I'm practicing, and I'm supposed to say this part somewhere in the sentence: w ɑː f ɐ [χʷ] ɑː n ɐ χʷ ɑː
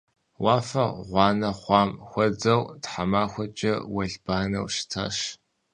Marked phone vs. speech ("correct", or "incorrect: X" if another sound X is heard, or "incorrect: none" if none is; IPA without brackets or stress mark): incorrect: ʁʷ